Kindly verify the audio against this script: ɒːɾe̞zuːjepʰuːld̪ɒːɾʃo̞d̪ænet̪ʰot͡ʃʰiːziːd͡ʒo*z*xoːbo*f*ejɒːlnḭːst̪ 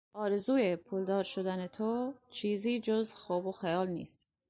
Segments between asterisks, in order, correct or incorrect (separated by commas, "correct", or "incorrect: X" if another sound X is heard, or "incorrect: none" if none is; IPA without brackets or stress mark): correct, incorrect: x